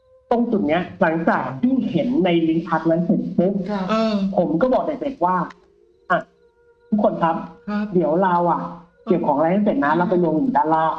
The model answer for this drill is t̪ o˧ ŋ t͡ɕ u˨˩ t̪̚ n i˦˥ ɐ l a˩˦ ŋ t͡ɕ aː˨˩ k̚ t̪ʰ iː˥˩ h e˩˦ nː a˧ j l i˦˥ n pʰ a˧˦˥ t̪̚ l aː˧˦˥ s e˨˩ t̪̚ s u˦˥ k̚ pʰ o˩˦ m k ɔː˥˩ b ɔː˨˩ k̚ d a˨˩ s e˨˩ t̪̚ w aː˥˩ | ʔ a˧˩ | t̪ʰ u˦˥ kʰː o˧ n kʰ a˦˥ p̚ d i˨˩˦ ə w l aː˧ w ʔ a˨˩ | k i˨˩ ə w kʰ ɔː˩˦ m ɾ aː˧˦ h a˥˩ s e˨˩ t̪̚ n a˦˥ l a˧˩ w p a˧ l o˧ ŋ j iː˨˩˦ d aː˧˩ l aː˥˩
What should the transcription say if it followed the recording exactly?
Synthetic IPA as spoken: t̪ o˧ ŋ t͡ɕ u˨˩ t̪̚ n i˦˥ ɐ l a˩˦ ŋ t͡ɕ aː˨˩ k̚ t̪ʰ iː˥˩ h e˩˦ nː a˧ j l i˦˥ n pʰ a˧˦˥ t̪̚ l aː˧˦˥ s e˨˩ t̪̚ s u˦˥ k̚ pʰ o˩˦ m k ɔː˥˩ b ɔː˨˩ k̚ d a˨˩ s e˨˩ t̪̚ w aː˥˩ | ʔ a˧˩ | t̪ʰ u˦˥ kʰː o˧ n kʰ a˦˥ p̚ d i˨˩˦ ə w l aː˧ w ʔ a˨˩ | k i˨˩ ə w kʰ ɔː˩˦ ŋ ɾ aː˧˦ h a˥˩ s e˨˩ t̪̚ n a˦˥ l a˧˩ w p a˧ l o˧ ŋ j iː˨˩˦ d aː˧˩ l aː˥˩